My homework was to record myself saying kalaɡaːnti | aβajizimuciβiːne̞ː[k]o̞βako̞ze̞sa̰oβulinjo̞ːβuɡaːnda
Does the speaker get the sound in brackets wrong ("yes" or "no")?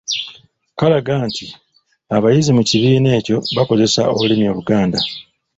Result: yes